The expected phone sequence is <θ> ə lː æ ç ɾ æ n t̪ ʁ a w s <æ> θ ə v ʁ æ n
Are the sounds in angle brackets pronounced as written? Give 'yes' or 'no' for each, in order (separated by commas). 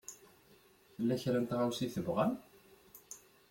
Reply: yes, no